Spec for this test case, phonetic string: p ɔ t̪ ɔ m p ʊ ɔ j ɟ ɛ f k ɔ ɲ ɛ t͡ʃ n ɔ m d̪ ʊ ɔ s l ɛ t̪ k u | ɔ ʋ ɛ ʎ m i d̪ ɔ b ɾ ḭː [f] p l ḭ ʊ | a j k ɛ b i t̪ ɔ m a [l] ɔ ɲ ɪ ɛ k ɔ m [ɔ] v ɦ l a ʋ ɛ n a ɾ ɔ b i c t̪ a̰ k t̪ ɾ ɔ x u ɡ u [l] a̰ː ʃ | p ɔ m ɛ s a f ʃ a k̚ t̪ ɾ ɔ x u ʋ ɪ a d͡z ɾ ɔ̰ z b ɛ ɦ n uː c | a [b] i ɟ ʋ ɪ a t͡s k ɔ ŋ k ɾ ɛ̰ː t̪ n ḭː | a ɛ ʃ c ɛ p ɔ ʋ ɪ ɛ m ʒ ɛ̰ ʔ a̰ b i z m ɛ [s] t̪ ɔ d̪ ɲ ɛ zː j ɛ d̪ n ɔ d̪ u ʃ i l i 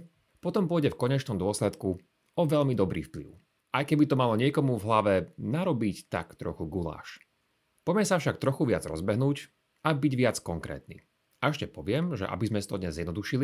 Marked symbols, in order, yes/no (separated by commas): yes, yes, no, yes, yes, yes